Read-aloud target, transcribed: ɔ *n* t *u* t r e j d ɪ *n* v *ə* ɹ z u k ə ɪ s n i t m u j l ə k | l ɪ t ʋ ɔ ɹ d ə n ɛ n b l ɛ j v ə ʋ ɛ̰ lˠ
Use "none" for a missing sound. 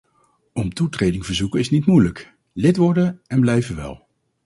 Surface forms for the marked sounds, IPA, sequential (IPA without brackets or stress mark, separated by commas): m, u, ŋ, ə